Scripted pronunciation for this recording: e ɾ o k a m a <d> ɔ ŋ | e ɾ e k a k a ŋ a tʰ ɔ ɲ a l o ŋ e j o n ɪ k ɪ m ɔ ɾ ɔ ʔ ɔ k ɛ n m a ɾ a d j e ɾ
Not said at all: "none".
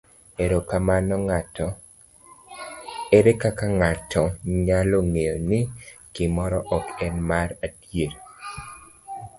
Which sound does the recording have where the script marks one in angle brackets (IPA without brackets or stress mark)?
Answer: n